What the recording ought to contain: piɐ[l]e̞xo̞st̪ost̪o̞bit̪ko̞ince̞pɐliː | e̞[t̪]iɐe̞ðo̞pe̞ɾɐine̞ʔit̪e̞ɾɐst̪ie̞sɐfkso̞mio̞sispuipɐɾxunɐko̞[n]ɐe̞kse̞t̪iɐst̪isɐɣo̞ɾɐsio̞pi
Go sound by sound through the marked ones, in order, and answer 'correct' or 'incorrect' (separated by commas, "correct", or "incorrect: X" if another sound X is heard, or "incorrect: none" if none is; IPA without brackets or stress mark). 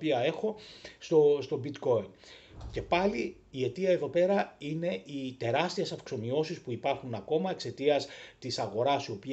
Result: incorrect: none, correct, incorrect: m